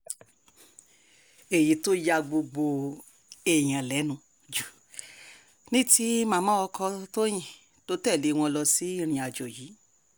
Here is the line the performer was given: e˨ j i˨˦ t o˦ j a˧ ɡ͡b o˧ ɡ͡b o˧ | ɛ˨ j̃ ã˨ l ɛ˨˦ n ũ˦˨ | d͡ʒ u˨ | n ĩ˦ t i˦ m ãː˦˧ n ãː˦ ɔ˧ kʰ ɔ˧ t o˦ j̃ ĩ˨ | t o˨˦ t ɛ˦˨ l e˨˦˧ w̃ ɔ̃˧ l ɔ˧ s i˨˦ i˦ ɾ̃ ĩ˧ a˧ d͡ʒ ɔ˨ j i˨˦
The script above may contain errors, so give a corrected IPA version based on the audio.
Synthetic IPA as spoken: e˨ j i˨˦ t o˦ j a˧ ɡ͡b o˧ ɡ͡b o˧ | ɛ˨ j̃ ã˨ l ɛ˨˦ n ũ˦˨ | d͡ʒ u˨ | n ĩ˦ t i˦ m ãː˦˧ m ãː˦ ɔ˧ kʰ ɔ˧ t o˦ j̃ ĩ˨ | t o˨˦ t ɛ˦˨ l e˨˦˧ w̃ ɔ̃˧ l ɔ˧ s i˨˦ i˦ ɾ̃ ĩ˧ a˧ d͡ʒ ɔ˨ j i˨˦